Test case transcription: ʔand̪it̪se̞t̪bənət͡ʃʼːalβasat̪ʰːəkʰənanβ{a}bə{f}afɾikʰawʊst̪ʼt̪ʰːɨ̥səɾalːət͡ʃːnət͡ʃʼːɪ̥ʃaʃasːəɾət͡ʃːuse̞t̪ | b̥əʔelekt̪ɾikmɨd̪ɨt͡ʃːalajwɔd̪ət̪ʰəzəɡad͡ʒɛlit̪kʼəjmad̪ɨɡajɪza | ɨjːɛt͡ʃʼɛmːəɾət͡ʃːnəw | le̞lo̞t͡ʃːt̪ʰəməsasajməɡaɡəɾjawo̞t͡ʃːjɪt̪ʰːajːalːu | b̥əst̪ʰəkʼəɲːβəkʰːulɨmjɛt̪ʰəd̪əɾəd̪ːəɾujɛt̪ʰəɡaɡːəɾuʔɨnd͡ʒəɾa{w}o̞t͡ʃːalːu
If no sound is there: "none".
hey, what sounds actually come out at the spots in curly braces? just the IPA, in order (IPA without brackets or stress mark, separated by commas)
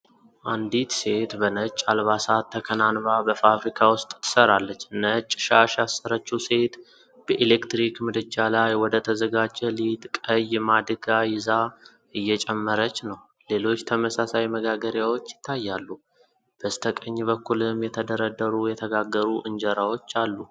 a, f, w